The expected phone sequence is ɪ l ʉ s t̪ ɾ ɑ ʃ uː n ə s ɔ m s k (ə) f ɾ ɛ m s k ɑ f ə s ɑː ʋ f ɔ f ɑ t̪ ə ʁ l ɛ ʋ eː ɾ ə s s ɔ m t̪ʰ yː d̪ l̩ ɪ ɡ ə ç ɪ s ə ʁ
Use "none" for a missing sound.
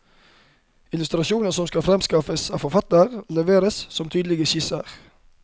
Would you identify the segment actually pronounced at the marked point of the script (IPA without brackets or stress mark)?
ɑ